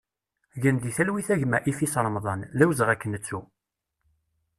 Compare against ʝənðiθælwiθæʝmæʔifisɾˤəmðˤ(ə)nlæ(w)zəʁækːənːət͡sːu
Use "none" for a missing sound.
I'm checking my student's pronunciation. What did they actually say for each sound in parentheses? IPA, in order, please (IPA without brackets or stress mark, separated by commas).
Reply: ɑ, w